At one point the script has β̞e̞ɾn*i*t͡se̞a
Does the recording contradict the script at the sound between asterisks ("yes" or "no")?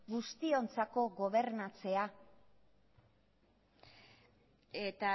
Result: yes